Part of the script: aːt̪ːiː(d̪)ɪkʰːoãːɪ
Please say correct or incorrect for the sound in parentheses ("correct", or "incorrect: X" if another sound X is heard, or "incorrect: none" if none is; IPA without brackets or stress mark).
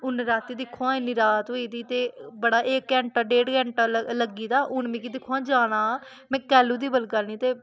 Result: correct